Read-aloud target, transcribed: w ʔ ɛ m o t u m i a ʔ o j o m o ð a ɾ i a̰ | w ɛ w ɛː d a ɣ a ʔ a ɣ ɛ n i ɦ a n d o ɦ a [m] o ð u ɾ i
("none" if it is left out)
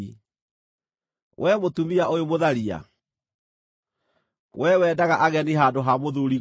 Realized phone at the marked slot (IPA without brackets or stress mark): m